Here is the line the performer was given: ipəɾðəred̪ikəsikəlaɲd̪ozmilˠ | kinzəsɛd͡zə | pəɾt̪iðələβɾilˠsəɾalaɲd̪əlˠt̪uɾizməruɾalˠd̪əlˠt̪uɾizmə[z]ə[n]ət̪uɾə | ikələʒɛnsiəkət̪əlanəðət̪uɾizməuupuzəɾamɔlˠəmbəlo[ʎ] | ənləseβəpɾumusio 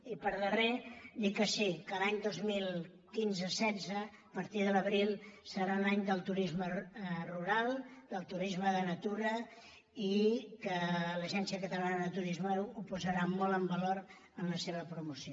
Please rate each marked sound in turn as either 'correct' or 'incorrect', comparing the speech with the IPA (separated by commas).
incorrect, correct, incorrect